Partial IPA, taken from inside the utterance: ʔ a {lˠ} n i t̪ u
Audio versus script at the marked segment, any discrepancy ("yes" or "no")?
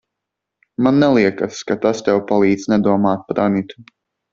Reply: yes